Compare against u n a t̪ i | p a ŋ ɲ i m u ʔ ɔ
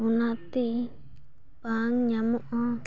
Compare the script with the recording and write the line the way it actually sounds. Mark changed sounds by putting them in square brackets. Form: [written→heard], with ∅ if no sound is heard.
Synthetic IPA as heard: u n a t̪ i | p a ŋ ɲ [i→a] m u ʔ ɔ